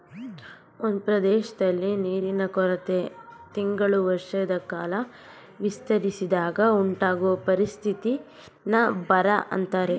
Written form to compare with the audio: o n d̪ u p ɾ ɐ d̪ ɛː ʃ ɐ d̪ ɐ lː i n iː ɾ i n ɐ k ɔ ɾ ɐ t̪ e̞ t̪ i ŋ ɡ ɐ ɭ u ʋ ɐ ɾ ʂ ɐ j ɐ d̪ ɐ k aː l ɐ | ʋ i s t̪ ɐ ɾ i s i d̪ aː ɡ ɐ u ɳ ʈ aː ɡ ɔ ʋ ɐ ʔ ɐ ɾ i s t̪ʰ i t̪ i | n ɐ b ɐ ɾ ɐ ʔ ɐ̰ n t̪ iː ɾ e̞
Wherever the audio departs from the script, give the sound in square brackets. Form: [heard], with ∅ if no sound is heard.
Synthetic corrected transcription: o n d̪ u p ɾ ɐ d̪ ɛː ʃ ɐ d̪ ɐ lː i n iː ɾ i n ɐ k ɔ ɾ ɐ t̪ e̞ t̪ i ŋ ɡ ɐ ɭ u ʋ ɐ ɾ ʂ ɐ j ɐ d̪ ɐ k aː l ɐ | ʋ i s t̪ ɐ ɾ i s i d̪ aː ɡ ɐ u ɳ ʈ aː ɡ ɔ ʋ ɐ [p] ɐ ɾ i s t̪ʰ i t̪ i | n ɐ b ɐ ɾ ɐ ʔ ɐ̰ n t̪ [aː] ɾ e̞

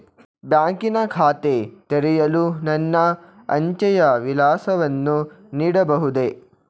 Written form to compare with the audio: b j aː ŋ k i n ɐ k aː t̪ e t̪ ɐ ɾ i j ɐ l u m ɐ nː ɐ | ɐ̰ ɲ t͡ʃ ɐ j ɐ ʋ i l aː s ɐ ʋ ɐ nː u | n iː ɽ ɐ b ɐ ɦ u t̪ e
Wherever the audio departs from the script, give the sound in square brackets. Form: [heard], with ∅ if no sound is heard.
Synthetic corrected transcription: b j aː ŋ k i n ɐ [kʰ] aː t̪ e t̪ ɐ ɾ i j ɐ l u [n] ɐ nː ɐ | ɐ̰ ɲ t͡ʃ ɐ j ɐ ʋ i l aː s ɐ ʋ ɐ nː u | n iː ɽ ɐ b ɐ ɦ u [d̪] e

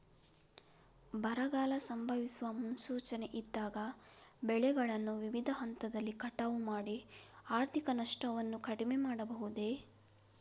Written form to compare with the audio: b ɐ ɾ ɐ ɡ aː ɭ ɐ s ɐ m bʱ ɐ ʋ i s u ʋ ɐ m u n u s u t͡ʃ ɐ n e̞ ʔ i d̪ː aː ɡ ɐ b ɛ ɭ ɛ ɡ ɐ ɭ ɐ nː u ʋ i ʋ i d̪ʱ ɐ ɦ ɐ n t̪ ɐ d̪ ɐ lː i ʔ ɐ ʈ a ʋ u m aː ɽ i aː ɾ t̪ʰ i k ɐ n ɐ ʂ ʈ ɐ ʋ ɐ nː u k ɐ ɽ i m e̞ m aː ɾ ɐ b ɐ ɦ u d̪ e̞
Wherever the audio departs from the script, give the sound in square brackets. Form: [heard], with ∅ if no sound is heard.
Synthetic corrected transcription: b ɐ ɾ ɐ ɡ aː [l] ɐ s ɐ m bʱ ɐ ʋ i s u ʋ ɐ m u n u s [uː] t͡ʃ ɐ n e̞ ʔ i d̪ː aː ɡ ɐ b ɛ ɭ ɛ ɡ ɐ ɭ ɐ nː u ʋ i ʋ i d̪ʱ ɐ ɦ ɐ n t̪ ɐ d̪ ɐ lː i [k] ɐ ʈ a ʋ u m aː ɽ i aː ɾ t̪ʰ i k ɐ n ɐ ʂ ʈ ɐ ʋ ɐ nː u k ɐ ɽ i m e̞ m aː [ɽ] ɐ b ɐ ɦ u d̪ e̞

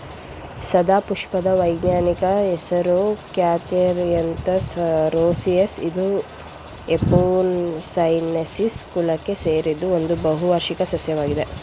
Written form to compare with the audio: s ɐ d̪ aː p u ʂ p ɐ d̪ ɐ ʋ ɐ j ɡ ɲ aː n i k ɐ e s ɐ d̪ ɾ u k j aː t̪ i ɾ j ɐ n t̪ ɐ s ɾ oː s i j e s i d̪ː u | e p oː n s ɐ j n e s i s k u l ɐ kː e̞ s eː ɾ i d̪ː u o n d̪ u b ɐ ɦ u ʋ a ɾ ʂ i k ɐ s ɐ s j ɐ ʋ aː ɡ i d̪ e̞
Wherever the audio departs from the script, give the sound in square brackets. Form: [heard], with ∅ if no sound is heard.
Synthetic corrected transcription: s ɐ d̪ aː p u ʂ p ɐ d̪ ɐ ʋ ɐ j ɡ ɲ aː n i k ɐ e s ɐ [∅] ɾ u k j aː t̪ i ɾ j ɐ n t̪ ɐ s ɾ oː s i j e s i [d̪] u | e p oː n s ɐ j n e s i s k u l ɐ kː e̞ s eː ɾ i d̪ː u o n d̪ u b ɐ ɦ u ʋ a ɾ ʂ i k ɐ s ɐ s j ɐ ʋ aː ɡ i d̪ e̞

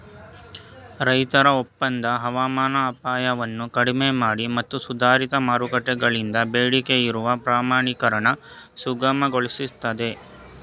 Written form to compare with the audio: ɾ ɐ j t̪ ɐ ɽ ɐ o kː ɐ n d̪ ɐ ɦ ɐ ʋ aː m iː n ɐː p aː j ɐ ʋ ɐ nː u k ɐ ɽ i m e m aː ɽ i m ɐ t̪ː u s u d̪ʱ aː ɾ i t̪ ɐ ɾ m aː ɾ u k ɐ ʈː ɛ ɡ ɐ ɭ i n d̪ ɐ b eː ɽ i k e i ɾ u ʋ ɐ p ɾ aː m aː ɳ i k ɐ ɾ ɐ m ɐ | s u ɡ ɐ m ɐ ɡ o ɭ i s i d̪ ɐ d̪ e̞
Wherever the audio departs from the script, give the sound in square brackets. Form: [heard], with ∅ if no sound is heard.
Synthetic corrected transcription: ɾ ɐ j t̪ ɐ [ɾ] ɐ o [pː] ɐ n d̪ ɐ ɦ ɐ ʋ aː m [aː] n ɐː p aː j ɐ ʋ ɐ nː u k ɐ ɽ i m e m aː ɽ i m ɐ t̪ː u s u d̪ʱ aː ɾ i t̪ ɐ [∅] m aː ɾ u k ɐ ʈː ɛ ɡ ɐ ɭ i n d̪ ɐ b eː ɽ i k e i ɾ u ʋ ɐ p ɾ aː m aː ɳ i k ɐ ɾ ɐ [ɳ] ɐ | s u ɡ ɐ m ɐ ɡ o ɭ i s i [t̪] ɐ d̪ e̞

